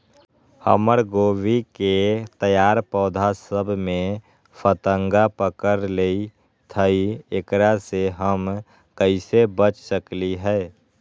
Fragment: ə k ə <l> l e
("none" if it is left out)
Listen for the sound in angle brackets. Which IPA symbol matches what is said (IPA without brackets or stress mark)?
ɾ